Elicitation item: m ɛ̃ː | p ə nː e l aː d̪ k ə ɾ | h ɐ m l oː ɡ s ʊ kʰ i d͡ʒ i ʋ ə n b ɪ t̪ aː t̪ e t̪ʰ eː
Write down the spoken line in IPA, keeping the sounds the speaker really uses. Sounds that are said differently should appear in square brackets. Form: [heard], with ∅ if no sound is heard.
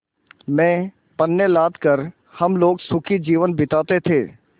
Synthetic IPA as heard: m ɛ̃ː | p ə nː e l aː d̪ k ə ɾ | h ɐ m l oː ɡ s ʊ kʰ i d͡ʒ [iː] ʋ ə n b ɪ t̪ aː t̪ e t̪ʰ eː